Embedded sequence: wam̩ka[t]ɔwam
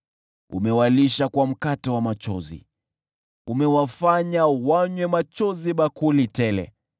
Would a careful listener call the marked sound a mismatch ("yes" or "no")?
no